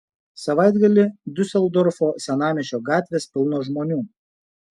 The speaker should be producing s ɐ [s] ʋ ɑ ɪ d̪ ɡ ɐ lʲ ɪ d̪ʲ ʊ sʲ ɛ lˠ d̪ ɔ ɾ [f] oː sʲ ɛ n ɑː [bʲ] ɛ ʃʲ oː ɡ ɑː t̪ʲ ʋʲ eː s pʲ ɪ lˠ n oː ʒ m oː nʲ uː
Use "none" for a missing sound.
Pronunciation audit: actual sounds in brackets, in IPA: none, f, mʲ

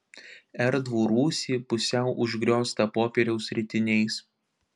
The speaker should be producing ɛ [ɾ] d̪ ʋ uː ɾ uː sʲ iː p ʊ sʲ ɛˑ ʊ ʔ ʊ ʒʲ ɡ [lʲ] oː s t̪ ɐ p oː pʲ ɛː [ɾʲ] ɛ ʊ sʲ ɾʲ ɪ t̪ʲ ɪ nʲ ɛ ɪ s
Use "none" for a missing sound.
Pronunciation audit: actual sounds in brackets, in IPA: ɾ, ɾʲ, ɾʲ

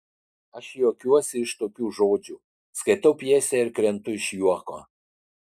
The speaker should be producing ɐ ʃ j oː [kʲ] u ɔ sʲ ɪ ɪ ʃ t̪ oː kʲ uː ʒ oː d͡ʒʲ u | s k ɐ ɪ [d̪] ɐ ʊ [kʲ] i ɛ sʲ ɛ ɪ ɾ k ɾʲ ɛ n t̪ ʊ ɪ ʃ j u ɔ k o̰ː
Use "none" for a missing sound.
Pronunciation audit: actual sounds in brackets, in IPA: kʲ, t̪, pʲ

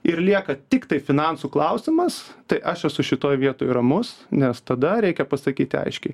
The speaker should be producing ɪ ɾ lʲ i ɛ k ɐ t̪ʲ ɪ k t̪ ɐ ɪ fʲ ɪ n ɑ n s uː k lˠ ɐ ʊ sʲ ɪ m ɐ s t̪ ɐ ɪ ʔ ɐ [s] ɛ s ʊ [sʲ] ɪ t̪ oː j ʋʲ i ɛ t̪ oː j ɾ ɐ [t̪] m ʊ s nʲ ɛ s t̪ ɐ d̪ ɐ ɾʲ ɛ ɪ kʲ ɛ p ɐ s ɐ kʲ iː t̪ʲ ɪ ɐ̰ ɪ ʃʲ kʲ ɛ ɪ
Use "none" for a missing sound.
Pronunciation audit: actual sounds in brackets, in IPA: ʃ, ʃʲ, none

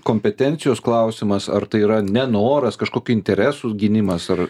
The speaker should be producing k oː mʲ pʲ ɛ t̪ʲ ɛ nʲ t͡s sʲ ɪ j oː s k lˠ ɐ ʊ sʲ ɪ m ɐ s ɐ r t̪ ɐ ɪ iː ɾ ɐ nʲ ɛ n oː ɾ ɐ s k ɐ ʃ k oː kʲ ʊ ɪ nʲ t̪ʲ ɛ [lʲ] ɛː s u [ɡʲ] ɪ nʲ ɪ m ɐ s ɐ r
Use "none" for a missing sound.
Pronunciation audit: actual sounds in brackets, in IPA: ɾʲ, ɡʲ

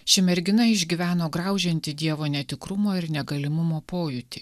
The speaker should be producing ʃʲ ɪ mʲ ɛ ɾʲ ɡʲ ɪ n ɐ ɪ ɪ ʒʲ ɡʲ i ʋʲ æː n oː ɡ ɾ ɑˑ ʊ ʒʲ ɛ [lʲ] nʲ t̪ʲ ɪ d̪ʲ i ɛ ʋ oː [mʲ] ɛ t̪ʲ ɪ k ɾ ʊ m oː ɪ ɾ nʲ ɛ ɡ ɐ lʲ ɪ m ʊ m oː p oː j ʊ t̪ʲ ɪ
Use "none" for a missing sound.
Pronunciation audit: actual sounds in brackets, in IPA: none, nʲ

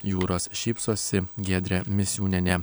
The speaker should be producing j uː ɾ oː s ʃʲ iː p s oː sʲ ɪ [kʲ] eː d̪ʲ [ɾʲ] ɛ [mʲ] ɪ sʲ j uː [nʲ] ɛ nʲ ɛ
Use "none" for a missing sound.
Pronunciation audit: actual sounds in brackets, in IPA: ɡʲ, ɾʲ, mʲ, nʲ

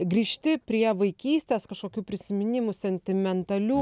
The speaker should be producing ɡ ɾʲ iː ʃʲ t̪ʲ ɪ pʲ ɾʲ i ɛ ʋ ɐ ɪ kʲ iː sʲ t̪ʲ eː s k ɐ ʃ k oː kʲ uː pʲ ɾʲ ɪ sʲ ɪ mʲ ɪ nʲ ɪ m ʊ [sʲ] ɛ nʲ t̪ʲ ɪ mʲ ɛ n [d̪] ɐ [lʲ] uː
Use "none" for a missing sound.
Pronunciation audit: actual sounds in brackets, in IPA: sʲ, t̪, lʲ

